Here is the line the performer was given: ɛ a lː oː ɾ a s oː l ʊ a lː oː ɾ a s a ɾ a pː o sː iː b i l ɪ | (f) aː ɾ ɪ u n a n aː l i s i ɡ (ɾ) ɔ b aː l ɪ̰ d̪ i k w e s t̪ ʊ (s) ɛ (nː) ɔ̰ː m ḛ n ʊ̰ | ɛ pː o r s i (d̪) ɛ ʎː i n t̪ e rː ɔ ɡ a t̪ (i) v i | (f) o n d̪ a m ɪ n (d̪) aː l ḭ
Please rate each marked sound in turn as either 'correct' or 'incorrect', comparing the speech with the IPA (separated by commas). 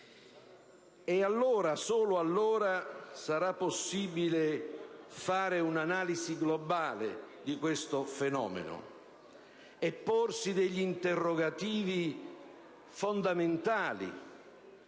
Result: correct, incorrect, incorrect, incorrect, correct, incorrect, correct, incorrect